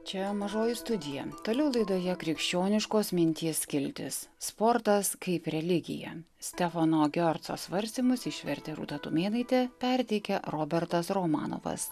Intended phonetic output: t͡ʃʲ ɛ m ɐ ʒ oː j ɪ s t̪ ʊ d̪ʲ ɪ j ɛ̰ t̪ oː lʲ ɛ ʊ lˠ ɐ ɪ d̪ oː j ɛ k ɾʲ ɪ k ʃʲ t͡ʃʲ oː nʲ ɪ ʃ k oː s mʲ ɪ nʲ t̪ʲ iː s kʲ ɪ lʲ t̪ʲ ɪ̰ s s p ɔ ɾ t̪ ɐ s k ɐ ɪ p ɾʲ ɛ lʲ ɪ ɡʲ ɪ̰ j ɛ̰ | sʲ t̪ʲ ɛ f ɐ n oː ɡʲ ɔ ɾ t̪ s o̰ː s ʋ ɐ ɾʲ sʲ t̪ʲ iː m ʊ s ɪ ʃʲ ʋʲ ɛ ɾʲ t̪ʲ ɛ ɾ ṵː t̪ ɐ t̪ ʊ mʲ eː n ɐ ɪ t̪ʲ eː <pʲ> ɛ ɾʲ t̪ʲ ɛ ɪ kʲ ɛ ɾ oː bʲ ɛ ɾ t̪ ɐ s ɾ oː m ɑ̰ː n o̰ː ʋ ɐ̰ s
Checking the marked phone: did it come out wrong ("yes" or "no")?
no